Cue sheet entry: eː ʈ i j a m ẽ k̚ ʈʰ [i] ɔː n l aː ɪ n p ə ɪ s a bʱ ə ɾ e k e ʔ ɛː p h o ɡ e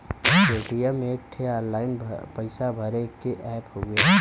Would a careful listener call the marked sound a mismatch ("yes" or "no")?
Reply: yes